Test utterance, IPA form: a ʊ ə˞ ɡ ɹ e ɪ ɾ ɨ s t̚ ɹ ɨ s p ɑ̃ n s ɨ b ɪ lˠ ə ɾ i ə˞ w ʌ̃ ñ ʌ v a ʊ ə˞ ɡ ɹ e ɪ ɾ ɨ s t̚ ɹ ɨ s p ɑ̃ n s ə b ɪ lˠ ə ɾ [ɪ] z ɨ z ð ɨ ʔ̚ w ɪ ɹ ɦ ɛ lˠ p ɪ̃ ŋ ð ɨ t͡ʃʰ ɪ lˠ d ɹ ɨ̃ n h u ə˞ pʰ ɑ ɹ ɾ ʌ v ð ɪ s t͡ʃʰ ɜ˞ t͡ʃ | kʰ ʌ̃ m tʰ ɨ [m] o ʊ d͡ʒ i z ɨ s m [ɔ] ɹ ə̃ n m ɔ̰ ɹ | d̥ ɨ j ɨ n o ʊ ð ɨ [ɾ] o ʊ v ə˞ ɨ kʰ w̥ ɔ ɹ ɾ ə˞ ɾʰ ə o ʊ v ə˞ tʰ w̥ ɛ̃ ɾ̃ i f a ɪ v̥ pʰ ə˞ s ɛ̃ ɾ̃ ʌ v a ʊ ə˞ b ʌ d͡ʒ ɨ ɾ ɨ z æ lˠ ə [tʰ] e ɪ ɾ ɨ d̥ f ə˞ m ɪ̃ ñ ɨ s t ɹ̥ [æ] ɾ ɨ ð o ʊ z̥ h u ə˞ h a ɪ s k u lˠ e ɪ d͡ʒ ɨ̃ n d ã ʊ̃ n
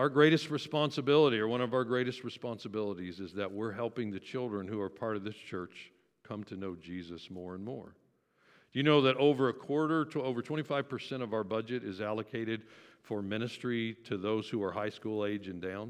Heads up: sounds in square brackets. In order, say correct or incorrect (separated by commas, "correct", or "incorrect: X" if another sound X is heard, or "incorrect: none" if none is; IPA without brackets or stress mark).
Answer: incorrect: i, incorrect: n, correct, correct, incorrect: kʰ, incorrect: i